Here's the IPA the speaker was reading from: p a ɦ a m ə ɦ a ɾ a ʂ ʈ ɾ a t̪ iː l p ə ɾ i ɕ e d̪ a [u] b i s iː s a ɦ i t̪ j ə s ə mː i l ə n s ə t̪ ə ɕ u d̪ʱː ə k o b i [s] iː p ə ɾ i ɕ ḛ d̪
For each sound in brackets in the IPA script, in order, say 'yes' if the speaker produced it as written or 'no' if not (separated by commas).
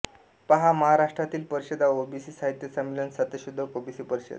no, yes